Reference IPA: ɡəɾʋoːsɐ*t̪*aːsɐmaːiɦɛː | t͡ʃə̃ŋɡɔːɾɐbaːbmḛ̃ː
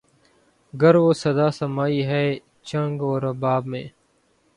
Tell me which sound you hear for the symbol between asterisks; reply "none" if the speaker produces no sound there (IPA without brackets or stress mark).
d̪